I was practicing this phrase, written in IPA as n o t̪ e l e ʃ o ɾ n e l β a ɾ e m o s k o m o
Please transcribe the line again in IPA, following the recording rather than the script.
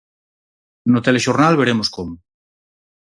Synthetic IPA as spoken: n o t̪ e l e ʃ o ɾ n a l β e ɾ e m o s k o m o